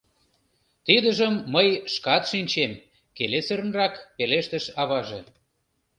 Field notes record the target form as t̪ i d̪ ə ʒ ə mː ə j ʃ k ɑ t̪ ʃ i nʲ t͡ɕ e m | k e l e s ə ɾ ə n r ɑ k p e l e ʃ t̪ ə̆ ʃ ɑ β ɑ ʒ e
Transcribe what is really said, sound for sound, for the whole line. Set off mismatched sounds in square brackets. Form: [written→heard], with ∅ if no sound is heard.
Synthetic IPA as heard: t̪ i d̪ ə ʒ ə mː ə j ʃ k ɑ t̪ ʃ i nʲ t͡ɕ e m | k e l e s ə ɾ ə n r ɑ k p e l e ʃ t̪ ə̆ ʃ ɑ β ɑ ʒ e